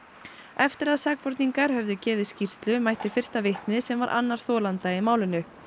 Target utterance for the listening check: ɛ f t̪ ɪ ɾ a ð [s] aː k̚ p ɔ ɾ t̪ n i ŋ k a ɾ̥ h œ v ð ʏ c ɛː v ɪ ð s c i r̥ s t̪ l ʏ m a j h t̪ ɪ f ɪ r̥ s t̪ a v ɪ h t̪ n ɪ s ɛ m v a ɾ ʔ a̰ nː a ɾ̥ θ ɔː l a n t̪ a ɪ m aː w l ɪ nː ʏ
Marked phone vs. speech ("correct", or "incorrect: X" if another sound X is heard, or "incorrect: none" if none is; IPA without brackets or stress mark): correct